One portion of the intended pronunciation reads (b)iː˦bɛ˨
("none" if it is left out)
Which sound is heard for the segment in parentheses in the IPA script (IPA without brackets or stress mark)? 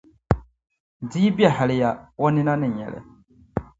d